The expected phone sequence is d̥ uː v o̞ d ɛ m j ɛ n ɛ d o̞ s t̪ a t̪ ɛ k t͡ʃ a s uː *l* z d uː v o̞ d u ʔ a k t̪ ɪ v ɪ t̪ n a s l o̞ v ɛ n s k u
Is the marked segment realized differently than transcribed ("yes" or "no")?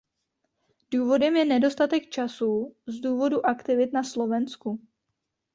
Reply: yes